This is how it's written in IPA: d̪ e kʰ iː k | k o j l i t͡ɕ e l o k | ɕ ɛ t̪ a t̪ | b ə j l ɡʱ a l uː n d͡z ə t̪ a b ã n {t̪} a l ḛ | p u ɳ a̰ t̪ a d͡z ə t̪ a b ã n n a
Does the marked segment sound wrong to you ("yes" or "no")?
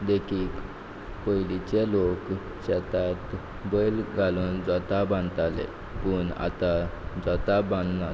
no